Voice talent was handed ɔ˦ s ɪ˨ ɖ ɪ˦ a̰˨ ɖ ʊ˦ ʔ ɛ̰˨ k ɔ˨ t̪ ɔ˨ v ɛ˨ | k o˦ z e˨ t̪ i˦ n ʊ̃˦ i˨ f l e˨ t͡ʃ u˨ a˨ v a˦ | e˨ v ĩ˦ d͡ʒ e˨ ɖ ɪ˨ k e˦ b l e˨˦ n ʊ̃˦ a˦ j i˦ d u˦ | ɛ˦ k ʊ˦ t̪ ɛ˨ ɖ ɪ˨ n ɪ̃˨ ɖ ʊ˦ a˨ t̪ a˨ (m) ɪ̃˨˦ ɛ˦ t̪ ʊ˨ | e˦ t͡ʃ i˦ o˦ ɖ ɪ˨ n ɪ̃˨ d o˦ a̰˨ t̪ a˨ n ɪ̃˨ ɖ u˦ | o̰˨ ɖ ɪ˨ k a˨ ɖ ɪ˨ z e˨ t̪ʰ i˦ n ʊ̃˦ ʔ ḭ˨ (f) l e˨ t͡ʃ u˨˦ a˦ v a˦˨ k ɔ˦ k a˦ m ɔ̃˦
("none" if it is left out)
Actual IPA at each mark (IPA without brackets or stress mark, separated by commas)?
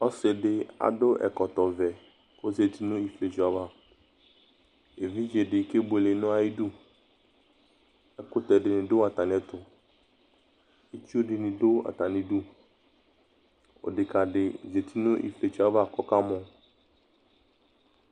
n, f